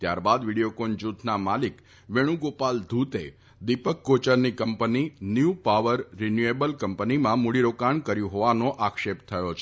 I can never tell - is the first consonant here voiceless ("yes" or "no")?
yes